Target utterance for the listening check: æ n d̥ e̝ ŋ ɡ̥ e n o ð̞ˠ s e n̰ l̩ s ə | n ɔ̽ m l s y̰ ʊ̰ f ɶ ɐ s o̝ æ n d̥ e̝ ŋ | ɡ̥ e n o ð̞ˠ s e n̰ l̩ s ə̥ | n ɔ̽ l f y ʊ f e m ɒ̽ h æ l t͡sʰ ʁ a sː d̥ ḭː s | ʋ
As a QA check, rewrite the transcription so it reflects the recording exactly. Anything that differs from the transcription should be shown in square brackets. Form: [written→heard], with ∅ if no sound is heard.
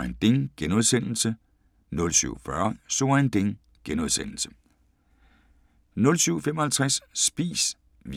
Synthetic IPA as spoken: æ n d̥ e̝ ŋ ɡ̥ e n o ð̞ˠ s e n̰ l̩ s ə | n ɔ̽ [m→∅] l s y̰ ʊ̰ f ɶ ɐ s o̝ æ n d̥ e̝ ŋ | ɡ̥ e n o ð̞ˠ s e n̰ l̩ s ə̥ | n ɔ̽ l [f→s] y ʊ f e m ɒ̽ h æ l t͡sʰ ʁ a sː [d̥→b̥] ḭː s | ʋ